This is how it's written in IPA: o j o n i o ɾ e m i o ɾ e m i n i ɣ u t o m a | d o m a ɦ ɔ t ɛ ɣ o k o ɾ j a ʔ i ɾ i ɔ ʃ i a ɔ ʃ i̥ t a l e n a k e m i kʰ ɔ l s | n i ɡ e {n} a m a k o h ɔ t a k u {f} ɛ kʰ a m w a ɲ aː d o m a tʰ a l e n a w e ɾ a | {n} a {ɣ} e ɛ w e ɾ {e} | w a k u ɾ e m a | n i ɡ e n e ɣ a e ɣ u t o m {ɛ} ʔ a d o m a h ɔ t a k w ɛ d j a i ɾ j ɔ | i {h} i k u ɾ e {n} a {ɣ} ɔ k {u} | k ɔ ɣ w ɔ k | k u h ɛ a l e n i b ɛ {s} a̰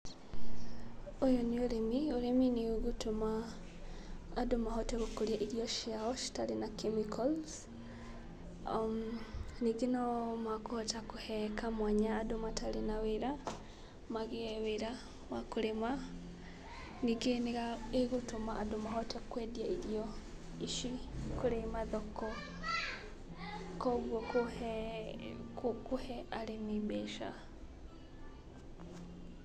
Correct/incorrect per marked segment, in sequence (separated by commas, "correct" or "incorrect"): correct, incorrect, incorrect, correct, incorrect, incorrect, incorrect, incorrect, incorrect, incorrect, incorrect